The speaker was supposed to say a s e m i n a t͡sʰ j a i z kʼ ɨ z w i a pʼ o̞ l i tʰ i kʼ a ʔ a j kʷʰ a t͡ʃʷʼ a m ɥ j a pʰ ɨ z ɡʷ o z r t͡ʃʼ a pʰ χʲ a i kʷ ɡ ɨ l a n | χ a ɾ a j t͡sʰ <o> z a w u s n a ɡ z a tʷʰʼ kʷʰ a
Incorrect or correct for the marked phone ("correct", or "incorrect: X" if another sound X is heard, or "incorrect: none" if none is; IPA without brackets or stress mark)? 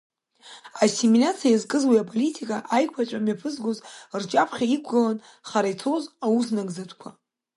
correct